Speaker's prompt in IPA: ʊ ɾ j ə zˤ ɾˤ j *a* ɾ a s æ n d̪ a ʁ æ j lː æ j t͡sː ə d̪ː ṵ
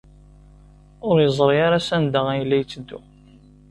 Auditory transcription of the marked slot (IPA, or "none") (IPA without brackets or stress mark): a